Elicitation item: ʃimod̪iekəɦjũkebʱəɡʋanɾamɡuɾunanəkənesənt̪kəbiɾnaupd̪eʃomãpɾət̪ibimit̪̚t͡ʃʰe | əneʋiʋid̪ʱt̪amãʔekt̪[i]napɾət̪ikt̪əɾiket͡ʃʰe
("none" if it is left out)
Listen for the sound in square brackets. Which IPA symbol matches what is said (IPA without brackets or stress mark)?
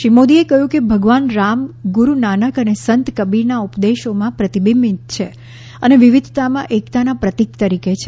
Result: a